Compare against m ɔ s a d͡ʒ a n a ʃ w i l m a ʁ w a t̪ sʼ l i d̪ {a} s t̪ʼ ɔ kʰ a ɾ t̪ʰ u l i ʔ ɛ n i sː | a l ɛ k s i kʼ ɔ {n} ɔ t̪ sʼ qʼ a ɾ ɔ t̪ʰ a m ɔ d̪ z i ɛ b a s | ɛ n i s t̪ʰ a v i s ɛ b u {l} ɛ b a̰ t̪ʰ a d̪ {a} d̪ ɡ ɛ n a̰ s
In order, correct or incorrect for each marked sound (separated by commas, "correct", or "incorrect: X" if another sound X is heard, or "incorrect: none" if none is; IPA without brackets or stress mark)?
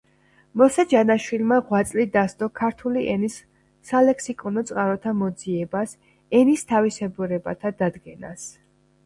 correct, correct, incorrect: ɾ, correct